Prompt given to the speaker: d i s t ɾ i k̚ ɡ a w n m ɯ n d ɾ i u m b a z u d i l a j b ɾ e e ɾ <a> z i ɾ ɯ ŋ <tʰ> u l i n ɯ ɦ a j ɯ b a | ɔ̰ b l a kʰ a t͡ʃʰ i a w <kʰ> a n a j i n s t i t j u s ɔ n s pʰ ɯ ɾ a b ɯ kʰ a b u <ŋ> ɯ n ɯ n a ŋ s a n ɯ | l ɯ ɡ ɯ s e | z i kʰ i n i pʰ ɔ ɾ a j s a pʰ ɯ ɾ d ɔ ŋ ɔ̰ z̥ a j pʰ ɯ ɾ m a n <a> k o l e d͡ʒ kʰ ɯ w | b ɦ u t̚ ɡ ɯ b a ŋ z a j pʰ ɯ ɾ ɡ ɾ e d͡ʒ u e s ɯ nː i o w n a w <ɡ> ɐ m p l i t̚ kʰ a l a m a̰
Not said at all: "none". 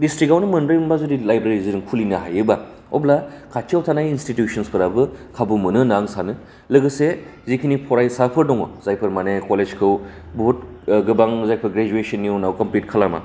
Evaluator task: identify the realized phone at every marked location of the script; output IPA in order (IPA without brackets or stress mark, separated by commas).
i, kʰ, tʰ, m, e, k